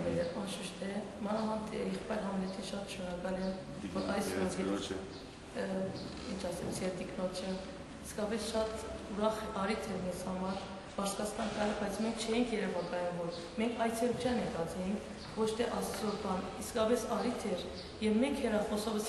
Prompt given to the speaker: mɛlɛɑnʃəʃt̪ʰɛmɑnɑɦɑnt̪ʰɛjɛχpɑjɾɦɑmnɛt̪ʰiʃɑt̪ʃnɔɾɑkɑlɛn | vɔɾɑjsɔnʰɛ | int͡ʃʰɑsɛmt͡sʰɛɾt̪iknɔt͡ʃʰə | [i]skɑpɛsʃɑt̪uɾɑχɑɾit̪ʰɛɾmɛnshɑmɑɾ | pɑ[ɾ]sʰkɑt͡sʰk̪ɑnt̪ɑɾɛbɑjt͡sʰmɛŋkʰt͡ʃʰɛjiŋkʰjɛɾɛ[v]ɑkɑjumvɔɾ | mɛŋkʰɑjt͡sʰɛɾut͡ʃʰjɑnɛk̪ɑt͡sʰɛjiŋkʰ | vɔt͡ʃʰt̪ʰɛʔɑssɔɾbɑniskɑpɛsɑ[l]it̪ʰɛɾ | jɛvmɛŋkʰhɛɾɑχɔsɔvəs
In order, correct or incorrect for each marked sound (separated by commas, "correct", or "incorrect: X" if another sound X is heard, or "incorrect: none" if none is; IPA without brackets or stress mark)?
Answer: correct, correct, correct, incorrect: ɾ